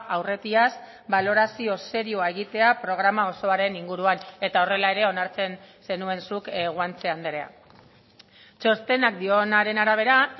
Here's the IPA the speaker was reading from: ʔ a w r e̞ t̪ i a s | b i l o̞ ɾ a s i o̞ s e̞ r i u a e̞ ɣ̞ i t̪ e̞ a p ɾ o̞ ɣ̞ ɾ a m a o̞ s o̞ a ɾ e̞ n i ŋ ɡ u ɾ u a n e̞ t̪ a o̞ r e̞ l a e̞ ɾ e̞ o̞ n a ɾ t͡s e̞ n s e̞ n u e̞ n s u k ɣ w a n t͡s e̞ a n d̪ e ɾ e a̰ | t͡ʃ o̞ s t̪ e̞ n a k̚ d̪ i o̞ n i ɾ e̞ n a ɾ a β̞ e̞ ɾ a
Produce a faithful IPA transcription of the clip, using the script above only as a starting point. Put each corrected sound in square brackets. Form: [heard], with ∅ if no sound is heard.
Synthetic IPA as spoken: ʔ a w r e̞ t̪ i a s | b [a] l o̞ ɾ a s i o̞ s e̞ [ɾ] i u a e̞ ɣ̞ i t̪ e̞ a p ɾ o̞ ɣ̞ ɾ a m a o̞ s o̞ a ɾ e̞ n i ŋ ɡ u ɾ u a n e̞ t̪ a o̞ r e̞ l a e̞ ɾ e̞ o̞ n a ɾ t͡s e̞ n s e̞ n u e̞ n s u k ɣ w a n t͡s e̞ a n d̪ e ɾ e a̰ | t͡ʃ o̞ s t̪ e̞ n a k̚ d̪ i o̞ n [a] ɾ e̞ n a ɾ a β̞ e̞ ɾ a